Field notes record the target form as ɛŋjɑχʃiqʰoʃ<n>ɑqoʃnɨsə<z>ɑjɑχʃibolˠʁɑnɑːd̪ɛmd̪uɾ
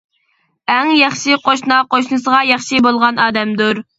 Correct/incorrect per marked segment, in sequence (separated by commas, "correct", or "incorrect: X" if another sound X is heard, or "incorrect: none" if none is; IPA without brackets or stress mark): correct, incorrect: ʁ